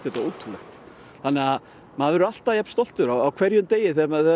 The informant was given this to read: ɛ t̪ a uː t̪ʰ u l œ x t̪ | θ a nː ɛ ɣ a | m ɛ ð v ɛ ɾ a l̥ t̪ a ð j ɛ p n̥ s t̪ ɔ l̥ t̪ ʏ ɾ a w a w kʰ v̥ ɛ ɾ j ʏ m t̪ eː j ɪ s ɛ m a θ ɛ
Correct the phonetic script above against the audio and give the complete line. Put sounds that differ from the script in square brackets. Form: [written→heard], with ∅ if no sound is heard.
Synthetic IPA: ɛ t̪ a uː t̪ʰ u l [œ→ɛ] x t̪ | θ a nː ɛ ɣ a | m [ɛ→a] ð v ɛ ɾ a l̥ t̪ a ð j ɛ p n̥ s t̪ ɔ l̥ t̪ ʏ ɾ a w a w kʰ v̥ ɛ ɾ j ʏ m t̪ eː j ɪ [s→θ] ɛ m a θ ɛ